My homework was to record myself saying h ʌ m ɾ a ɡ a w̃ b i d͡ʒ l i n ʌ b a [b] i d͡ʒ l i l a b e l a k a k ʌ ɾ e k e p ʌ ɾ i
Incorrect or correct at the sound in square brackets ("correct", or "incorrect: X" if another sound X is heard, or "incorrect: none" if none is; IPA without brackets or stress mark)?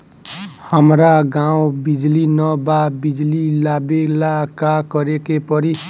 correct